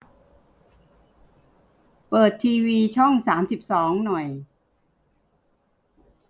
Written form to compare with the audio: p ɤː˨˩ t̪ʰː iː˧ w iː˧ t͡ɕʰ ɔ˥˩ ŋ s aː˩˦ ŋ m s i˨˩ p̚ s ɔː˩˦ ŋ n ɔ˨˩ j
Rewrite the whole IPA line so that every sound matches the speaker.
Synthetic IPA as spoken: p ɤː˨˩ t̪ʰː iː˧ w iː˧ t͡ɕʰ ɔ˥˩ ŋ s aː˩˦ m s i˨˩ p̚ s ɔː˩˦ ŋ n ɔ˨˩ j

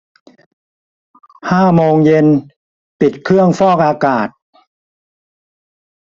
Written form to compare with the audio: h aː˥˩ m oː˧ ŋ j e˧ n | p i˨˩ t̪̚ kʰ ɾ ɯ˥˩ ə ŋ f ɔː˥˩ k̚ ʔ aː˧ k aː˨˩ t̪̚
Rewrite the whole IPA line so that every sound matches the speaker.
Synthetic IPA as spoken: h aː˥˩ m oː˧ ŋ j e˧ n | p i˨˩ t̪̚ kʰ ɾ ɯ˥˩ ə ŋ f ɔː˥˩ k̚ ʔ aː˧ k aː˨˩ t̪̚

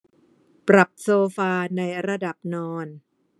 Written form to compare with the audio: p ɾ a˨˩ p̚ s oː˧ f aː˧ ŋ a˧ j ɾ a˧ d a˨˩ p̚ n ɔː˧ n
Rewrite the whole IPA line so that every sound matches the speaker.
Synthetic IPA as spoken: p ɾ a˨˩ p̚ s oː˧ f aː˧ n a˧ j ɾ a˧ d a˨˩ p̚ n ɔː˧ n

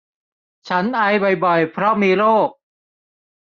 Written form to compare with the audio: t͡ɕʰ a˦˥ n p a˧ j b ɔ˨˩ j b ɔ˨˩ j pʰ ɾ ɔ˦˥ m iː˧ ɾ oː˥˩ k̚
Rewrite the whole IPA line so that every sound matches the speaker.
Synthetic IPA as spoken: t͡ɕʰ a˦˥ n ʔ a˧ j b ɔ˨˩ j b ɔ˨˩ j pʰ ɾ ɔ˦˥ m iː˧ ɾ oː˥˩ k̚

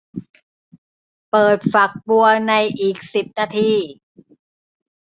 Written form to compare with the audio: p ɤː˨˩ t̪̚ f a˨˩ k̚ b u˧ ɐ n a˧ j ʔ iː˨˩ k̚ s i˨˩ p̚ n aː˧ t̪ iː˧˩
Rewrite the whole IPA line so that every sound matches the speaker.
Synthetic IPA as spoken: p ɤː˨˩ t̪̚ f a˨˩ k̚ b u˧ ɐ n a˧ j ʔ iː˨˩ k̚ s i˨˩ p̚ n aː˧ t̪ʰ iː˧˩

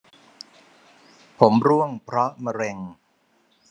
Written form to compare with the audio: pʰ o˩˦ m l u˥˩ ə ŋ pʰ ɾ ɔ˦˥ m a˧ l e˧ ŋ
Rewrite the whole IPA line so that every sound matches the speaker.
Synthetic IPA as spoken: pʰ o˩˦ m ɾ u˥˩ ə ŋ pʰ ɾ ɔ˦˥ m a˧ ɾ e˧ ŋ

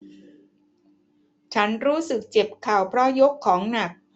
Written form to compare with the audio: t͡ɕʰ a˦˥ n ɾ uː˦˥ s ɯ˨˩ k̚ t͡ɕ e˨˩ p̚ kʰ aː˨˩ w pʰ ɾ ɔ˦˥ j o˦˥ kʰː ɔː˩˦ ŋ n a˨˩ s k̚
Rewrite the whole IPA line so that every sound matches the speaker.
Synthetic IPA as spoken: t͡ɕʰ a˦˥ n ɾ uː˦˥ s ɯ˨˩ k̚ t͡ɕ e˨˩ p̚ kʰ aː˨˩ w pʰ ɾ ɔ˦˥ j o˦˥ kʰː ɔː˩˦ ŋ n a˨˩ k̚

